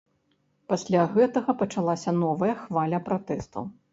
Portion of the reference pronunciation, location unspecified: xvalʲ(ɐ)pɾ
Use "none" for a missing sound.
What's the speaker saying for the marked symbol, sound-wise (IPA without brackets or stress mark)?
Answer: ɐ